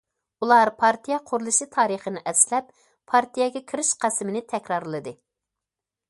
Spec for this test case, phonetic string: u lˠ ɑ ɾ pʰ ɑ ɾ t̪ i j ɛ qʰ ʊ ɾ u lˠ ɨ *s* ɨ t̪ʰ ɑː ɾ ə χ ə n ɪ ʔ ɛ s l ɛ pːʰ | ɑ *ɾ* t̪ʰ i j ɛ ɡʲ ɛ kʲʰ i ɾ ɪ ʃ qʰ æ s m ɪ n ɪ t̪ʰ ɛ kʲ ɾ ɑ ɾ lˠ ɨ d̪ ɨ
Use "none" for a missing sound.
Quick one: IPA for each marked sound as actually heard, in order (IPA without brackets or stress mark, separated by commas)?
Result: ʃ, ɾ